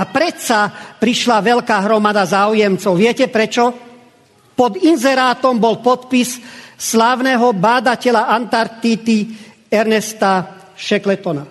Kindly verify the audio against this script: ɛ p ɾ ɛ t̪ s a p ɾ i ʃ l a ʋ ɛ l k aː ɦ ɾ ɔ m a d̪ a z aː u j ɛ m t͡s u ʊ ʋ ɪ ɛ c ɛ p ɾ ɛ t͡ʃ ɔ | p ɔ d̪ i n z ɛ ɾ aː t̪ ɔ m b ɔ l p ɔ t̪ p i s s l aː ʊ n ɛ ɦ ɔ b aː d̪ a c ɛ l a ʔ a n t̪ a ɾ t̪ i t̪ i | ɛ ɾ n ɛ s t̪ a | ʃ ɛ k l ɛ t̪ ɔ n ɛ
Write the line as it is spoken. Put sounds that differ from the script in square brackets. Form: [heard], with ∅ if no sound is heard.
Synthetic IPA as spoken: [a] p ɾ ɛ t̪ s a p ɾ i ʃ l a ʋ ɛ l k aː ɦ ɾ ɔ m a d̪ a z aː u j ɛ m t͡s [ɔ] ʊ ʋ ɪ ɛ c ɛ p ɾ ɛ t͡ʃ ɔ | p ɔ d̪ i n z ɛ ɾ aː t̪ ɔ m b ɔ l p ɔ t̪ p i s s l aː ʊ n ɛ ɦ ɔ b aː d̪ a c ɛ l a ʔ a n t̪ a ɾ t̪ i t̪ i | ɛ ɾ n ɛ s t̪ a | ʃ ɛ k l ɛ t̪ ɔ n [a]